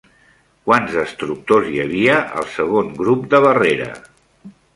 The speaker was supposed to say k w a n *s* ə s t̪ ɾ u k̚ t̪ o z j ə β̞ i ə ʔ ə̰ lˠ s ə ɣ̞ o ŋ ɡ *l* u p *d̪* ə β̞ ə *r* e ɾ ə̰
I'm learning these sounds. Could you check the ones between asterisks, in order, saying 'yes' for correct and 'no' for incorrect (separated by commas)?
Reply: no, no, yes, yes